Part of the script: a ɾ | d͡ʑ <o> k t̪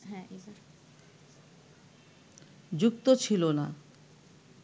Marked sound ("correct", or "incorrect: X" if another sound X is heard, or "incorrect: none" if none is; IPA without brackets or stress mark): incorrect: u